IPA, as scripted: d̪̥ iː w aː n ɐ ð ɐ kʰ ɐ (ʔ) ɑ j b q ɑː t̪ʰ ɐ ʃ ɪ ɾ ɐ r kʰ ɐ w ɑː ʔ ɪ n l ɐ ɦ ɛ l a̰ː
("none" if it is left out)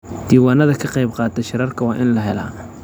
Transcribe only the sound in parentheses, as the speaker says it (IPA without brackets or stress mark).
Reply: q